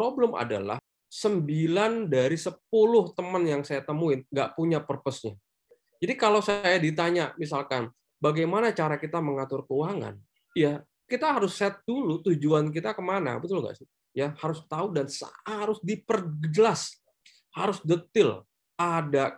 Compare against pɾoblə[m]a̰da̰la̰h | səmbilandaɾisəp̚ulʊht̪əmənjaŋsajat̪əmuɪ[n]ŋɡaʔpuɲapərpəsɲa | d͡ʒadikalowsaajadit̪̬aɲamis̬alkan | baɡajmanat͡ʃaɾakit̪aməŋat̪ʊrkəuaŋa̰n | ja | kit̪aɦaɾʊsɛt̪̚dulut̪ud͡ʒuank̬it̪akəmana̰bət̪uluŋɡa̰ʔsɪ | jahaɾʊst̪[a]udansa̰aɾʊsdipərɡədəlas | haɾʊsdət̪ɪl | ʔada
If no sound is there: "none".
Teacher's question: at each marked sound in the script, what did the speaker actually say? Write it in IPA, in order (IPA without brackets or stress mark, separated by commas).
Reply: m, n, a